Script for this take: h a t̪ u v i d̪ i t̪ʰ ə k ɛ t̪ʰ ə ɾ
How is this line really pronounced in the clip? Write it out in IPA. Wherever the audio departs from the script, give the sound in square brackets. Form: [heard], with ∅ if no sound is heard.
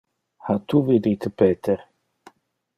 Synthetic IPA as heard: h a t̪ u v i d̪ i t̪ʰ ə [p] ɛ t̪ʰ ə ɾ